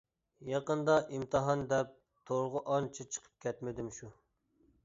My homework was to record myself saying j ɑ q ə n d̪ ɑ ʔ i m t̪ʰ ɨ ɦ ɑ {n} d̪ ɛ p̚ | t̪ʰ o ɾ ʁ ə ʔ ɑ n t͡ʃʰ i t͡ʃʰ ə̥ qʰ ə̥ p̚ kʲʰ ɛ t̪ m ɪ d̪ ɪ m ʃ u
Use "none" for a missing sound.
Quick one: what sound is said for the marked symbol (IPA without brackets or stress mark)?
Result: n